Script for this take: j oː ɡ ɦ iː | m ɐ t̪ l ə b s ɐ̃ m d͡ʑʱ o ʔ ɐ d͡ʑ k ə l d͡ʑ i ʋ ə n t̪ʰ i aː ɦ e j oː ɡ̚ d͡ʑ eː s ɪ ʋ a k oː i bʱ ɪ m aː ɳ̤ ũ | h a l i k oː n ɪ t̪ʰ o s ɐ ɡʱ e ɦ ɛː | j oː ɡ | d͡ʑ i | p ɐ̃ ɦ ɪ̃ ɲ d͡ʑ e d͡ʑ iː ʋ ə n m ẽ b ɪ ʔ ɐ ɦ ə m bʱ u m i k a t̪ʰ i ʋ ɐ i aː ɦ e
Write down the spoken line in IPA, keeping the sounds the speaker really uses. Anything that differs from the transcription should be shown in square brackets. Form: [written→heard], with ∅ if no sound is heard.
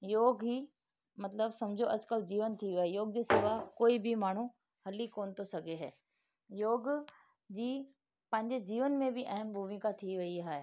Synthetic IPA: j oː ɡ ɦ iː | m ɐ t̪ l ə b s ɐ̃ m d͡ʑʱ o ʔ ɐ d͡ʑ k ə l d͡ʑ [i→iː] ʋ ə n t̪ʰ i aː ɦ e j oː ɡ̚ d͡ʑ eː s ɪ ʋ a k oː i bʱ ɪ m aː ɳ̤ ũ | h [a→ɐ] l i k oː n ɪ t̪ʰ o s ɐ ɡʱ e ɦ ɛː | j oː ɡ | d͡ʑ [i→iː] | p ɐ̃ ɦ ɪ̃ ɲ d͡ʑ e d͡ʑ iː ʋ ə n m ẽ b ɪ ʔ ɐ ɦ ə m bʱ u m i k a t̪ʰ i ʋ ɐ i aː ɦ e